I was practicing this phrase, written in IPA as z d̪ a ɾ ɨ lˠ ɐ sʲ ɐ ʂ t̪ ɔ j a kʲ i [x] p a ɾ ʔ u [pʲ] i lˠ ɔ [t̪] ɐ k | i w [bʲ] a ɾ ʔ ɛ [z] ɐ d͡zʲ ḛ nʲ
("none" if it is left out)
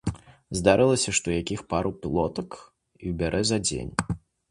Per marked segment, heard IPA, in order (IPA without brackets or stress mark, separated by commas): x, pʲ, t̪, bʲ, z